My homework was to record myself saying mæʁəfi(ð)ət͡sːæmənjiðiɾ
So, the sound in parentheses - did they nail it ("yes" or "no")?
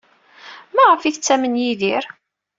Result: no